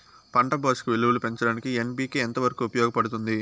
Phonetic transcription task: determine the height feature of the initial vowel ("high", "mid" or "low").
low